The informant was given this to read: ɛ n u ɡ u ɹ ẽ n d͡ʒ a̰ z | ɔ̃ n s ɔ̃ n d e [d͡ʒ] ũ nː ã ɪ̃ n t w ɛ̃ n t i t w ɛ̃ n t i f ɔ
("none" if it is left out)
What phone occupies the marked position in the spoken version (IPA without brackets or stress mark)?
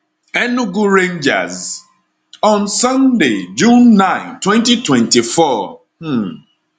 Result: d͡ʒ